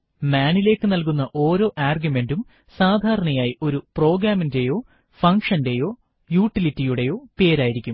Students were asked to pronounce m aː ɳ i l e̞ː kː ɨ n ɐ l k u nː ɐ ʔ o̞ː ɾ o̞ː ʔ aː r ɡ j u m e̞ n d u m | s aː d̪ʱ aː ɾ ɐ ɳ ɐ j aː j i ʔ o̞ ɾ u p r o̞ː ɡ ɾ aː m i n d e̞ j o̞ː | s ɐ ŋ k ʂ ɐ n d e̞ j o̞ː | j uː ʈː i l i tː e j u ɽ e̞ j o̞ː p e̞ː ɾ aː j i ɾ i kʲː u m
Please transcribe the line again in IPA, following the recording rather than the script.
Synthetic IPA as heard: m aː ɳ i l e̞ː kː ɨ n ɐ l k u nː ɐ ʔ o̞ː ɾ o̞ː ʔ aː r ɡ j u m e̞ n d u m | s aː d̪ʱ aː ɾ ɐ ɳ ɐ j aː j i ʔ o̞ ɾ u p r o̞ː ɡ ɾ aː m i n d e̞ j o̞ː | f ɐ ŋ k ʂ ɐ n d e̞ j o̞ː | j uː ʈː i l i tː i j u ɽ e̞ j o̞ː p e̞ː ɾ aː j i ɾ i kʲː u m